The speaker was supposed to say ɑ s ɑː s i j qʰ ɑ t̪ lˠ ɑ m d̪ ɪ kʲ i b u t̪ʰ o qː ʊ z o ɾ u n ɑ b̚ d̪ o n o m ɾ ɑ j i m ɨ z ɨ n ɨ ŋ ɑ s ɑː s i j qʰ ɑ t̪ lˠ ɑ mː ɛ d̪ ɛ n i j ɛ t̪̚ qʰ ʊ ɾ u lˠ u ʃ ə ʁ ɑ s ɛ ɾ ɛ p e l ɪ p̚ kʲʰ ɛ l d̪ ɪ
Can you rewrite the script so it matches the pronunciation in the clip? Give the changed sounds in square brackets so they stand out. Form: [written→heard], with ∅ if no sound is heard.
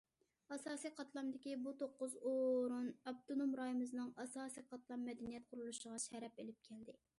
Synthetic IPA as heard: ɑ s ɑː s i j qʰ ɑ t̪ lˠ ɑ m d̪ ɪ kʲ i b u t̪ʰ o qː ʊ z o ɾ u n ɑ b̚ [d̪→t̪] o n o m ɾ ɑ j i m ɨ z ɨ n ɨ ŋ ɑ s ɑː s i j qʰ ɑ t̪ lˠ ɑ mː ɛ d̪ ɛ n i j ɛ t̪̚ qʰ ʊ ɾ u lˠ u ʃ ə ʁ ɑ [s→ʃ] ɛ ɾ ɛ p e l ɪ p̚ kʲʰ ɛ l d̪ ɪ